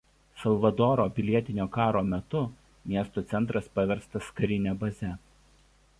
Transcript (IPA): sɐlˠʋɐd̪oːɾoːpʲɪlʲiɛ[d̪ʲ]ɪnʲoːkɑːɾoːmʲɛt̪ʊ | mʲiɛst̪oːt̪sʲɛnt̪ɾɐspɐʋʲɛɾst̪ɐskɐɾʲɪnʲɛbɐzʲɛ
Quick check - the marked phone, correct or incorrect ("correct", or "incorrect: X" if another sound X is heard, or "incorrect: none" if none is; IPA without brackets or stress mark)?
incorrect: t̪ʲ